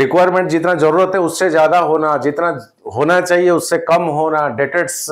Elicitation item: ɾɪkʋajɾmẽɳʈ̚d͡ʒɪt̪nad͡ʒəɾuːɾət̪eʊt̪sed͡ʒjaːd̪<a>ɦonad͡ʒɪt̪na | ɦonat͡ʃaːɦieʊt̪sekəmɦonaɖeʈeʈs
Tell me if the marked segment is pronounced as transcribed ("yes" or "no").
yes